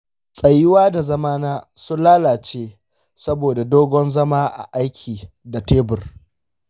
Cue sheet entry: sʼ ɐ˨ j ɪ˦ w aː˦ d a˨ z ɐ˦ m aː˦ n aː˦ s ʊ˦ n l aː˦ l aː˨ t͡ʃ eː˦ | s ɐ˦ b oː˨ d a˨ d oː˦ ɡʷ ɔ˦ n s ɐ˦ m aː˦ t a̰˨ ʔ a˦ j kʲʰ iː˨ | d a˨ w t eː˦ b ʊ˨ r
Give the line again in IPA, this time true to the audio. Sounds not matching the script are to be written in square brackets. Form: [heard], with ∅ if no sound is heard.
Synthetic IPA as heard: sʼ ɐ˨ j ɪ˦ w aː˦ d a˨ z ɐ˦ m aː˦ n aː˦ s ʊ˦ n l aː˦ l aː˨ t͡ʃ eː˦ | s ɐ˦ b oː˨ d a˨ d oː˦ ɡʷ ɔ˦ n [z] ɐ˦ m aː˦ [ʔ] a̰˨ ʔ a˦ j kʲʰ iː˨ | d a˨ [∅] t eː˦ b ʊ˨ r